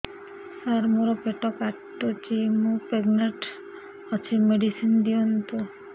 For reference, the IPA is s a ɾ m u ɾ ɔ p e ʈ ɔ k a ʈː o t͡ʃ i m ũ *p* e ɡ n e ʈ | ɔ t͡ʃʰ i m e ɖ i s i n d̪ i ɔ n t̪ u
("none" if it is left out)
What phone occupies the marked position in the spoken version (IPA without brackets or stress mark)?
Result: p